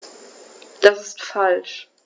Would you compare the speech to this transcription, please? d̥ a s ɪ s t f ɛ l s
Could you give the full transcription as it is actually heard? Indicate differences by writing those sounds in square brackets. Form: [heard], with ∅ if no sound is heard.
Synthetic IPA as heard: d̥ a s ɪ s t f [a] l [ʃ]